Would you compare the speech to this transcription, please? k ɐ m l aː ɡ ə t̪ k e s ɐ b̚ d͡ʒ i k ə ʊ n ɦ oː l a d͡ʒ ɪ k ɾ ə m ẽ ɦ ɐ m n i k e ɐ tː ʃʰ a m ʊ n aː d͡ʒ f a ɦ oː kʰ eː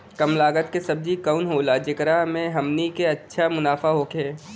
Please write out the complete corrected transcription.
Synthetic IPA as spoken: k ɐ m l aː ɡ ə t̪ k e s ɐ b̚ d͡ʒ i k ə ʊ n ɦ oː l a d͡ʒ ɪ k ɾ a m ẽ ɦ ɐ m n i k e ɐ tː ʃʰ a m ʊ n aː f a ɦ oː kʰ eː